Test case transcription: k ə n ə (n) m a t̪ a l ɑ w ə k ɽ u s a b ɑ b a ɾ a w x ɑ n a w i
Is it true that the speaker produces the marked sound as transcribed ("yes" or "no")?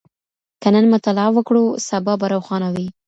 yes